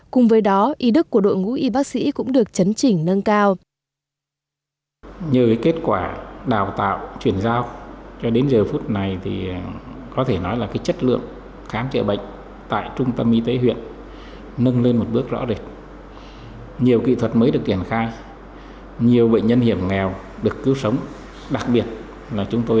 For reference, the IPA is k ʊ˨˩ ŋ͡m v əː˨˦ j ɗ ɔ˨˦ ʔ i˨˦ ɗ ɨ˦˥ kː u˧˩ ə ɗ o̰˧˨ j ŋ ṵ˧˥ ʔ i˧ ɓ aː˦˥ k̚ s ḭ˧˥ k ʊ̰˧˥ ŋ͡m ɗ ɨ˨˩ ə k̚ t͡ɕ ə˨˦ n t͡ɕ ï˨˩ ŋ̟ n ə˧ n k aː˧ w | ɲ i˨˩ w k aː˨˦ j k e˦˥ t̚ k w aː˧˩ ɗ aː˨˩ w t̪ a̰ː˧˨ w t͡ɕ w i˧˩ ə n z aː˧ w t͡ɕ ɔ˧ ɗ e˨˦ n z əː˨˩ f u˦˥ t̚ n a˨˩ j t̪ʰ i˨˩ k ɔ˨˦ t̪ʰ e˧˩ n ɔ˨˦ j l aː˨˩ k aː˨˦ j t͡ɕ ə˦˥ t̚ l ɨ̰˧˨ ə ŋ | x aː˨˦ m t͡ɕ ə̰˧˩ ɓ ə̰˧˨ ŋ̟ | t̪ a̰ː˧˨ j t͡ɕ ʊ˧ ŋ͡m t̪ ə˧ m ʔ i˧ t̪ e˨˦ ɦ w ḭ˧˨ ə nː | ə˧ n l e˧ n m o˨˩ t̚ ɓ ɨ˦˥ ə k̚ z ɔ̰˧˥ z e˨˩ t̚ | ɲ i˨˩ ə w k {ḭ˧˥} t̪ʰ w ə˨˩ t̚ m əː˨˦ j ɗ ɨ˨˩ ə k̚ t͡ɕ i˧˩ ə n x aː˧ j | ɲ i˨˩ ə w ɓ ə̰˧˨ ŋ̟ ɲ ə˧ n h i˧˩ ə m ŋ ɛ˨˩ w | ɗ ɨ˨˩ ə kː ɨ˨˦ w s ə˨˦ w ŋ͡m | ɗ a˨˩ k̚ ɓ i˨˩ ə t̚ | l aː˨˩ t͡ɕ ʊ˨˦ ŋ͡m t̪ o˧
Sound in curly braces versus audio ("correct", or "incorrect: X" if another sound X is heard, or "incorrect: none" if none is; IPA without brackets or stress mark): incorrect: ḭ˧˨